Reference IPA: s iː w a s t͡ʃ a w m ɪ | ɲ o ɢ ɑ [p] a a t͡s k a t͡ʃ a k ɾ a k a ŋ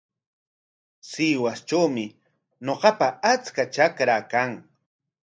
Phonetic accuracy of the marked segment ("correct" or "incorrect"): correct